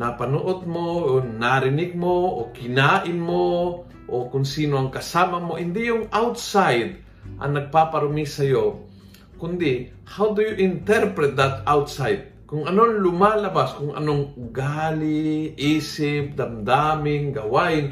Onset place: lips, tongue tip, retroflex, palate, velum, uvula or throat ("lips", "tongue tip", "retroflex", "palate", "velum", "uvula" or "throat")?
tongue tip